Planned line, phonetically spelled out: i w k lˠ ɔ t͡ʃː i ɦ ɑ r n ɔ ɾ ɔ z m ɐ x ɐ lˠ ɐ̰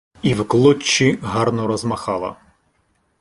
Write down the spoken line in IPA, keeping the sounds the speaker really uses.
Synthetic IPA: i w k lˠ ɔ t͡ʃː i ɦ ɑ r n ɔ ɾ ɔ z m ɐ x ɑ lˠ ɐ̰